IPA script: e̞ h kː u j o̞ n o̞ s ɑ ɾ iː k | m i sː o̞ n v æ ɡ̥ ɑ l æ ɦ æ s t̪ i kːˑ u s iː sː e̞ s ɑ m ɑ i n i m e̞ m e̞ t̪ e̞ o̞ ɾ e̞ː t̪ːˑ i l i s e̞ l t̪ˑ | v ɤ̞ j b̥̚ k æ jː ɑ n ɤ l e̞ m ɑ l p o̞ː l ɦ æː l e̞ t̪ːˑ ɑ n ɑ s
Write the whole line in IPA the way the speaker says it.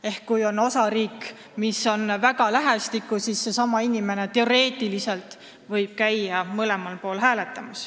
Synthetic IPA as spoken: e̞ h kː u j o̞ n o̞ s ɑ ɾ iː k | m i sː o̞ n v æ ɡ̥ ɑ l æ ɦ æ s t̪ i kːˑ u s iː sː e̞ s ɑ m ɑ i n i m e̞ n e̞ t̪ e̞ o̞ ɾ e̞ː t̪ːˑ i l i s e̞ l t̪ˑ | v ɤ̞ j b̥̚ k æ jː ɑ m ɤ l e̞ m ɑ l p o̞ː l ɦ æː l e̞ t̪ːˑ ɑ m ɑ s